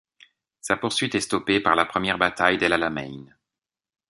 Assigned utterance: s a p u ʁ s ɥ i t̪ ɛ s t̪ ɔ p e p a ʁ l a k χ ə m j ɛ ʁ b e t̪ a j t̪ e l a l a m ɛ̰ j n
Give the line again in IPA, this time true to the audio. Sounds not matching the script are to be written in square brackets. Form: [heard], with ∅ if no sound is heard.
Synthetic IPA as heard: s a p u ʁ s ɥ i t̪ ɛ s t̪ ɔ p e p a ʁ l a [p] χ ə m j ɛ ʁ b [a] t̪ a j [d̪] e l a l a m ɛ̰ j n